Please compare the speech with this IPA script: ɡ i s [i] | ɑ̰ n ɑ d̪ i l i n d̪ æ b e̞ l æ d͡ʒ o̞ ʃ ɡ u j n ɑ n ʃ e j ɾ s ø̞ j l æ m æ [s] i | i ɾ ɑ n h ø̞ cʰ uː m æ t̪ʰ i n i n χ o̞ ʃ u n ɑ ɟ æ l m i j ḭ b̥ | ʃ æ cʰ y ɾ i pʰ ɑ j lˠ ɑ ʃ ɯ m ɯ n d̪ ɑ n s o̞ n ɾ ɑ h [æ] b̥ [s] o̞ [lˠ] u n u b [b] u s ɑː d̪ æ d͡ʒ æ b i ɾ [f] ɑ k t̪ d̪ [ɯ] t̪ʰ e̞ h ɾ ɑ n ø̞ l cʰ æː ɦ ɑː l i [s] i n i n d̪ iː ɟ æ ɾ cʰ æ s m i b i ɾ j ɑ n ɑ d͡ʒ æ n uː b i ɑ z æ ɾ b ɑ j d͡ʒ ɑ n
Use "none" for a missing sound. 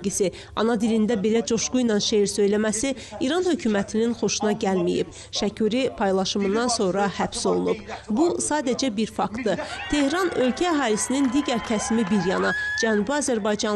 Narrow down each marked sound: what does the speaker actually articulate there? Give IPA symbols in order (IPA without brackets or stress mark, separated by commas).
i, s, æ, s, lˠ, b, f, ɯ, s